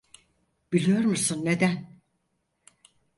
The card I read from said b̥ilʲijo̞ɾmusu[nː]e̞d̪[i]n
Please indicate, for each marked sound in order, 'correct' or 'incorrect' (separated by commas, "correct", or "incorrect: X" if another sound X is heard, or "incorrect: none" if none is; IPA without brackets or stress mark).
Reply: correct, incorrect: æ